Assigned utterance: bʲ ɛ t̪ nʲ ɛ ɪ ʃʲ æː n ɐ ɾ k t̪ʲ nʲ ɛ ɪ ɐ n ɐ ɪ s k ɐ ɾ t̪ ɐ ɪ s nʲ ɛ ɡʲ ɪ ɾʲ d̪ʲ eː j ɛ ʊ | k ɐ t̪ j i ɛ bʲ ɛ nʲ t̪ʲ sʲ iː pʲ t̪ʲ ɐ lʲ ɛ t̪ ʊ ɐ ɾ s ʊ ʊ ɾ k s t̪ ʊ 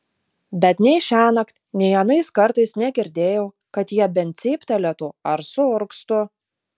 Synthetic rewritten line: bʲ ɛ t̪ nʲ ɛ ɪ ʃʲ æː n ɐ k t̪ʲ nʲ ɛ ɪ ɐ n ɐ ɪ s k ɐ ɾ t̪ ɐ ɪ s nʲ ɛ ɡʲ ɪ ɾʲ d̪ʲ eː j ɛ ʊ | k ɐ t̪ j i ɛ bʲ ɛ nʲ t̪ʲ sʲ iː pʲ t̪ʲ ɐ lʲ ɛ t̪ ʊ ɐ ɾ s ʊ ʊ ɾ k s t̪ ʊ